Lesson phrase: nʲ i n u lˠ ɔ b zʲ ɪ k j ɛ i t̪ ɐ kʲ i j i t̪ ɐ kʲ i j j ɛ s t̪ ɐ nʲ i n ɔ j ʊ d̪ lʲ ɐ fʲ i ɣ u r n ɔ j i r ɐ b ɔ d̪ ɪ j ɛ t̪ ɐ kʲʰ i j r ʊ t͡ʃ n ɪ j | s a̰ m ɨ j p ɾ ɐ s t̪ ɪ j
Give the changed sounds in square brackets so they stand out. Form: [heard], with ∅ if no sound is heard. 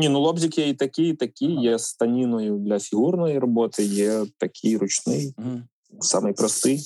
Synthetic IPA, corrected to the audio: nʲ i n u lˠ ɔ b zʲ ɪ k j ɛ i t̪ ɐ kʲ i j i t̪ ɐ kʲ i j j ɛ s t̪ ɐ nʲ i n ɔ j ʊ d̪ lʲ ɐ fʲ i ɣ u r n ɔ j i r ɐ b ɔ [t̪] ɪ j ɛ t̪ ɐ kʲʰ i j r ʊ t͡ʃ n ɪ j | s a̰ m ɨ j p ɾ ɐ s t̪ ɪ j